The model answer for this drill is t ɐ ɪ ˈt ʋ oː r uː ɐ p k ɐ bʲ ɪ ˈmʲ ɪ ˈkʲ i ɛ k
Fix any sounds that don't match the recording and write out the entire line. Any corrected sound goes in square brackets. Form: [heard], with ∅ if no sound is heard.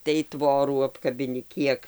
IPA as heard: t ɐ ɪ ˈt ʋ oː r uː ɐ p k ɐ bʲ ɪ [ˈnʲ] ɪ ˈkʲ i ɛ k